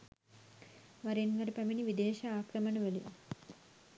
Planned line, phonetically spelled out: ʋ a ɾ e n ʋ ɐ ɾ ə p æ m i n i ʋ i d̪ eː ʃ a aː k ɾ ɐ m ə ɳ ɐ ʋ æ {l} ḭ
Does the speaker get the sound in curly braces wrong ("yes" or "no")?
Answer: no